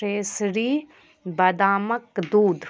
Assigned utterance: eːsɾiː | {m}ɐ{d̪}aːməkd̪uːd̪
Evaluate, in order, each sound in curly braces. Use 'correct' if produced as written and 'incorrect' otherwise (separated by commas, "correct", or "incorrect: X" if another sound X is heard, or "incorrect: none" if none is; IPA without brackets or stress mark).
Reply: incorrect: b, correct